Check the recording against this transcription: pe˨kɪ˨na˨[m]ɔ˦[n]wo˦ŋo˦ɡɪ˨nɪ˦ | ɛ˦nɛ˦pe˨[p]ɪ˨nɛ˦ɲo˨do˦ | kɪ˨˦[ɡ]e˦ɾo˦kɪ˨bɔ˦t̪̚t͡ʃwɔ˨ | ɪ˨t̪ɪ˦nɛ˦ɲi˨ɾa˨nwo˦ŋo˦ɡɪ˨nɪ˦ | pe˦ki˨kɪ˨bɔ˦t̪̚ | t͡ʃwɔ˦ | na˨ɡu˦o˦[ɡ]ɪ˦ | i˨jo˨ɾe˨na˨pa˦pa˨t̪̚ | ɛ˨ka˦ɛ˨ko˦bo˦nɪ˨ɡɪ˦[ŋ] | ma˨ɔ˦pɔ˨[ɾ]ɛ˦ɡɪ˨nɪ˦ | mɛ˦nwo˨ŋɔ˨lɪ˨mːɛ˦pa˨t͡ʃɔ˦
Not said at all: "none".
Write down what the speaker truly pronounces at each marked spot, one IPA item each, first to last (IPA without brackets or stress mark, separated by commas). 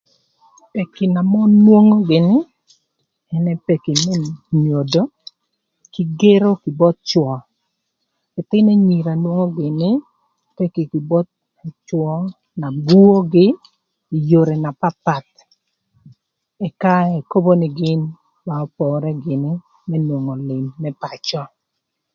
m, n, k, ɡ, ɡ, n, ɾ